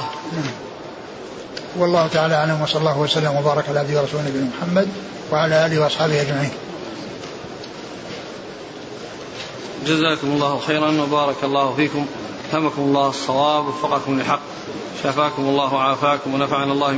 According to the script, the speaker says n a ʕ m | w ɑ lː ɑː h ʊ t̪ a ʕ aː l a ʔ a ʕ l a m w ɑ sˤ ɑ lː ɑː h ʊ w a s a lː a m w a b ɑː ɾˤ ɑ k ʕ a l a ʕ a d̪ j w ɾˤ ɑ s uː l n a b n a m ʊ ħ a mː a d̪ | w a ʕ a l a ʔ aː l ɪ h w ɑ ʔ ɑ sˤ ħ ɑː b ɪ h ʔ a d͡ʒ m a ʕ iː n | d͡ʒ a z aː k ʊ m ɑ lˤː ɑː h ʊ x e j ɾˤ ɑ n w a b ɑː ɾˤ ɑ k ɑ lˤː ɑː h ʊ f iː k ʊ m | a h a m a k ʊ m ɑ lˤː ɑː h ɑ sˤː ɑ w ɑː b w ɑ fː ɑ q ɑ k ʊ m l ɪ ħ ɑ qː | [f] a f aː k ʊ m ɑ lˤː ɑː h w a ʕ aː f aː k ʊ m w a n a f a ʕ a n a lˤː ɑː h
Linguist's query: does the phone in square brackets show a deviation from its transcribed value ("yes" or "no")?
yes